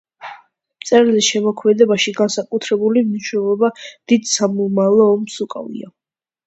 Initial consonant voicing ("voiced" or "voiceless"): voiced